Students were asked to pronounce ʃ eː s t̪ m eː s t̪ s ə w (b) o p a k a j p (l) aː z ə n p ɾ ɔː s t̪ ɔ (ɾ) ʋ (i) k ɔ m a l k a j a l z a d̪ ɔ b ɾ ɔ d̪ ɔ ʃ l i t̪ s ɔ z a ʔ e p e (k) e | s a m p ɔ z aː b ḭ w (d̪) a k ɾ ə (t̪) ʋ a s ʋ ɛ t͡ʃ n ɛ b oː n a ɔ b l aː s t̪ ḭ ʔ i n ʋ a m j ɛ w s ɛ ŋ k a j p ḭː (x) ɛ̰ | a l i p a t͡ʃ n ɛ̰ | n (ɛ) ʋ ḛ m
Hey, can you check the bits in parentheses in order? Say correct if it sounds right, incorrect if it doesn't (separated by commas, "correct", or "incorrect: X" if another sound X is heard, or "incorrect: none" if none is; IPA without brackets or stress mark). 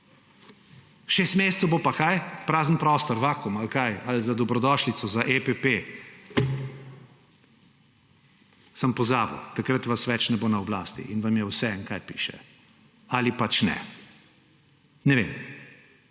correct, incorrect: ɾ, correct, incorrect: a, incorrect: p, incorrect: t̪, correct, incorrect: ʃ, correct